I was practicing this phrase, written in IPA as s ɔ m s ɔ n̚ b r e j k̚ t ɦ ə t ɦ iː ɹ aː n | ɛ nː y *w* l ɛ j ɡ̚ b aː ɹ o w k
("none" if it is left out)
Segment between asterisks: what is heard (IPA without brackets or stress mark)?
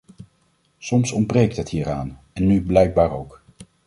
b